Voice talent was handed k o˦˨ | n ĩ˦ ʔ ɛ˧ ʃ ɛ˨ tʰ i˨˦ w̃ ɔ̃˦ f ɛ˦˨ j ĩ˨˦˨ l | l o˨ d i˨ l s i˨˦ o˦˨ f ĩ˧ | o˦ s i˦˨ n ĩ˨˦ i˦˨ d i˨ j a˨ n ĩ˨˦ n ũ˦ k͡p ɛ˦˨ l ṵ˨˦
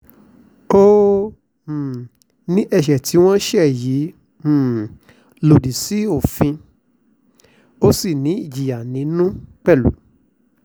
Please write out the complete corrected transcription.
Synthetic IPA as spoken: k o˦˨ | n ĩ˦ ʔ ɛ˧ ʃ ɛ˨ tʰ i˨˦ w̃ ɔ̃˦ ʃ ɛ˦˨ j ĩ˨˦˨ | l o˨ d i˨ s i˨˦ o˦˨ f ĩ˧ | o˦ s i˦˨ n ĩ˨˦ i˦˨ d͡ʒ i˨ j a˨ n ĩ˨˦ n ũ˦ k͡p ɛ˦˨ l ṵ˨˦